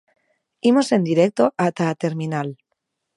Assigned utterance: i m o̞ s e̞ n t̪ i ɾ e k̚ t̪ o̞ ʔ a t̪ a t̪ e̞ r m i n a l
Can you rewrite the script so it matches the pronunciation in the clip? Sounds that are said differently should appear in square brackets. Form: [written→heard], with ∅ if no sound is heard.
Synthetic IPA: i m o̞ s e̞ n [t̪→d̪] i ɾ e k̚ t̪ o̞ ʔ a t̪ a t̪ e̞ [r→ɾ] m i n a l